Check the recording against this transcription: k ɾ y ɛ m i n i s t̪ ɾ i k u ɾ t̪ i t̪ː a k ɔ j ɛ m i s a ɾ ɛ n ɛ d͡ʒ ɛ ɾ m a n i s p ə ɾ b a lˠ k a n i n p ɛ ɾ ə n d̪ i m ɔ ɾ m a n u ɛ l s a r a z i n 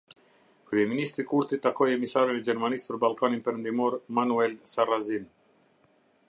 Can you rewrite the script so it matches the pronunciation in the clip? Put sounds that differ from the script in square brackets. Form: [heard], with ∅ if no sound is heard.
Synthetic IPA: k ɾ y ɛ m i n i s t̪ ɾ i k u ɾ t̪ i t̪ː a k ɔ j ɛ m i s a ɾ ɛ n ɛ d͡ʒ ɛ ɾ m a n i s p ə ɾ b a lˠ k a n i n p ɛ ɾ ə n d̪ i m ɔ ɾ m a n u ɛ l s a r a z i n